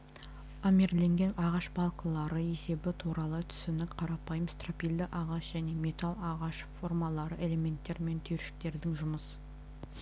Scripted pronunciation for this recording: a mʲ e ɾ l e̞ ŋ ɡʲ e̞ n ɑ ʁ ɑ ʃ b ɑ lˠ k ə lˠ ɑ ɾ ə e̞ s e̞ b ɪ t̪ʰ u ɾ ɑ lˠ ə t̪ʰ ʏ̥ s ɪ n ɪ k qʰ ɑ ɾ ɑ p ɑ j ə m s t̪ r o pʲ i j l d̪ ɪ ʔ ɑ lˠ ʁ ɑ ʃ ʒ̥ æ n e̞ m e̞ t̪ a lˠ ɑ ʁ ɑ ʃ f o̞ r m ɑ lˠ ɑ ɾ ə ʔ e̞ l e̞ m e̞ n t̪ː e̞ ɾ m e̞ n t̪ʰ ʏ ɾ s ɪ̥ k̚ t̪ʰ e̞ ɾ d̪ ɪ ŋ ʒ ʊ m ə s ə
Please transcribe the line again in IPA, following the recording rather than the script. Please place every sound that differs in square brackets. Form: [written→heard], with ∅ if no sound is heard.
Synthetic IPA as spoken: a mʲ e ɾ l e̞ ŋ ɡʲ e̞ n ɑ ʁ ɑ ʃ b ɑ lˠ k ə lˠ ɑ ɾ ə e̞ s e̞ b ɪ t̪ʰ u ɾ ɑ lˠ ə t̪ʰ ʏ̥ s ɪ n ɪ k qʰ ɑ ɾ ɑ p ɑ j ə m s t̪ r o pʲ i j l d̪ ɪ ʔ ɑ [lˠ→∅] ʁ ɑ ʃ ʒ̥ æ n e̞ m e̞ t̪ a lˠ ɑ ʁ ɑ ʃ f o̞ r m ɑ lˠ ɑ ɾ ə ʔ e̞ l e̞ m e̞ n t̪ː e̞ ɾ m e̞ n t̪ʰ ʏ ɾ [s→ʃ] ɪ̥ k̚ [t̪ʰ→t̪] e̞ ɾ d̪ ɪ ŋ ʒ ʊ m ə s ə